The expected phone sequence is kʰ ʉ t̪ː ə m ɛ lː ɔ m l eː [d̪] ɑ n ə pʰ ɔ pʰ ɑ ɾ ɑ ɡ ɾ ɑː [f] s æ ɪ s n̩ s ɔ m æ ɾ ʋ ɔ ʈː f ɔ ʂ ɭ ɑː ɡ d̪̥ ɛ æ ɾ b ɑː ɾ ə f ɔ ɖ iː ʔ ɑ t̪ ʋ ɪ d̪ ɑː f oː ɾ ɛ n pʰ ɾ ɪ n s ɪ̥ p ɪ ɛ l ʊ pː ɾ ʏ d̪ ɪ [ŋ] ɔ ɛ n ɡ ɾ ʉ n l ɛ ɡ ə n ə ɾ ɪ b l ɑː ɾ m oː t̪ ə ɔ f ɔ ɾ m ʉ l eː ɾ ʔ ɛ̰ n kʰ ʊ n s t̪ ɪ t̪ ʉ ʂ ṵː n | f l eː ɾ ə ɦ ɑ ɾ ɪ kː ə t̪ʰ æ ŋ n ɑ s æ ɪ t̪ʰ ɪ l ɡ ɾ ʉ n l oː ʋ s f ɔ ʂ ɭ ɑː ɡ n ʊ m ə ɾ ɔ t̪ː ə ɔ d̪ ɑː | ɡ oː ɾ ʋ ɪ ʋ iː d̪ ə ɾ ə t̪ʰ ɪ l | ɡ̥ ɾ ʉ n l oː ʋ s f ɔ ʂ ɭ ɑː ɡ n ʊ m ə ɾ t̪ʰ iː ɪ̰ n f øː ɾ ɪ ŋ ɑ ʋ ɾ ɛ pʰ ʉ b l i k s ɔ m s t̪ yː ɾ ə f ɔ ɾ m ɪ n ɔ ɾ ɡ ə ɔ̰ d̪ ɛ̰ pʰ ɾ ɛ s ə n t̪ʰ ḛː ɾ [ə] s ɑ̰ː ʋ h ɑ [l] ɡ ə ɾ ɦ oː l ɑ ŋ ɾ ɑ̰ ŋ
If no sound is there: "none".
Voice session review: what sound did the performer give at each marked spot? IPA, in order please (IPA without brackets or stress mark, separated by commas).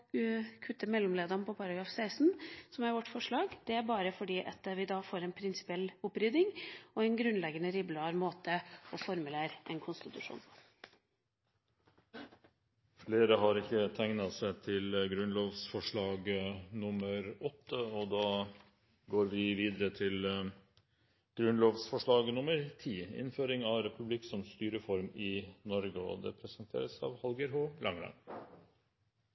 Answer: d̪, f, ŋ, ə, l